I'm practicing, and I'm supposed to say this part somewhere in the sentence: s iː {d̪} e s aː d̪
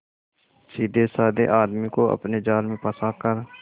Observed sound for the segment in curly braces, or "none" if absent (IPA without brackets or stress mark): d̪